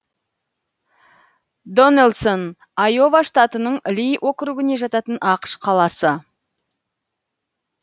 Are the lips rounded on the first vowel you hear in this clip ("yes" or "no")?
yes